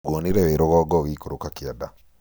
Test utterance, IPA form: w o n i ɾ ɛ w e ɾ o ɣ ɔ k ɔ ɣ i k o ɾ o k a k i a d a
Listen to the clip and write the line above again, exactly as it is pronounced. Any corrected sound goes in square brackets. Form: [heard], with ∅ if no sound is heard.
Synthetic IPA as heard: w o n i ɾ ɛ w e ɾ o ɣ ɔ [ɡ] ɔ ɣ i k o ɾ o k a k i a d a